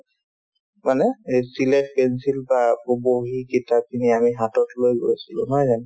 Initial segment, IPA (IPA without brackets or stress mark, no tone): m